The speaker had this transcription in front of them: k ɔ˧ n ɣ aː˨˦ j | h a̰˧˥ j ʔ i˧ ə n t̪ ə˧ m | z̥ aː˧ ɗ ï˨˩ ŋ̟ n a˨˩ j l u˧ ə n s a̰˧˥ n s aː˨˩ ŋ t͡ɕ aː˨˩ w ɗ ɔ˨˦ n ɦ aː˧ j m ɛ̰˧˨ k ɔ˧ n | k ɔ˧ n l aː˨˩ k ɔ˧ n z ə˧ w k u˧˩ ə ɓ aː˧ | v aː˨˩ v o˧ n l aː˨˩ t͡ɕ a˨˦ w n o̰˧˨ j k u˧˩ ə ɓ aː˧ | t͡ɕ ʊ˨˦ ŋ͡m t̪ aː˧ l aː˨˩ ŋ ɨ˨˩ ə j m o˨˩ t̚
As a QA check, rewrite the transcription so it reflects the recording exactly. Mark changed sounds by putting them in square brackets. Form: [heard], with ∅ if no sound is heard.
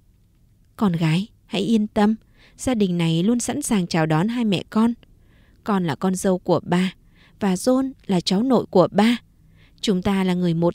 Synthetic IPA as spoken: k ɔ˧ n ɣ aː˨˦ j | h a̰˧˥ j ʔ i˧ ə n t̪ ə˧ m | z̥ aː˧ ɗ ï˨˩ ŋ̟ n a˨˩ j l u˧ ə n s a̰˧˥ n s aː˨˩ ŋ t͡ɕ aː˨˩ w ɗ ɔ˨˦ n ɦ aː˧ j m ɛ̰˧˨ k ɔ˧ n | k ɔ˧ n l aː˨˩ k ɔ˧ n z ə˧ w k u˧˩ ə ɓ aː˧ | v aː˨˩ [z] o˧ n l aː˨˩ t͡ɕ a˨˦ w n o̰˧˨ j k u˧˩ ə ɓ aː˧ | t͡ɕ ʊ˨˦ ŋ͡m t̪ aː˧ l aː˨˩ ŋ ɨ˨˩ ə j m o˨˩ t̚

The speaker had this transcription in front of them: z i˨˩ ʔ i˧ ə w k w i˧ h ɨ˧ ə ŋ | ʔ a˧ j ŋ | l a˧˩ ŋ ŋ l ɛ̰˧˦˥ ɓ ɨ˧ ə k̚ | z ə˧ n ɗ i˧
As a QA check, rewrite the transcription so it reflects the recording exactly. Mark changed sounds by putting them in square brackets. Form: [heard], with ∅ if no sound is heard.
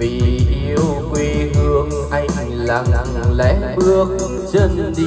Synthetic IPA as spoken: [v] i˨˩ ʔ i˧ ə w k w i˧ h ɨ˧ ə ŋ | ʔ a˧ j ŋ | l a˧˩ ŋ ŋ l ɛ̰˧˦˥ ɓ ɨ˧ ə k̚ | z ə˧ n ɗ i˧

